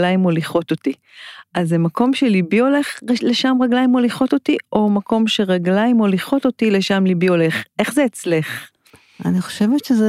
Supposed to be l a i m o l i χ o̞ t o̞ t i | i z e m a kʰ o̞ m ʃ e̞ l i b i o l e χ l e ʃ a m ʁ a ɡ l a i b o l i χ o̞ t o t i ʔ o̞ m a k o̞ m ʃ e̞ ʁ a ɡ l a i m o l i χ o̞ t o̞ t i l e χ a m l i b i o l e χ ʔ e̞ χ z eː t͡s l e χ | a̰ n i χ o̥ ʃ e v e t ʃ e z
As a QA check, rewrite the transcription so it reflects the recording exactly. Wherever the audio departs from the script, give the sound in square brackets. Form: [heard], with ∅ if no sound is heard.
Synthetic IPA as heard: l a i m o l i χ o̞ t o̞ t i | [a] z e m a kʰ o̞ m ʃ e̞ l i b i o l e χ l e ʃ a m ʁ a ɡ l a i [m] o l i χ o̞ t o t i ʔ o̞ m a k o̞ m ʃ e̞ ʁ a ɡ l a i m o l i χ o̞ t o̞ t i l e [ʃ] a m l i b i o l e χ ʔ e̞ χ z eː t͡s l e χ | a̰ n i χ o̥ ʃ e v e t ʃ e z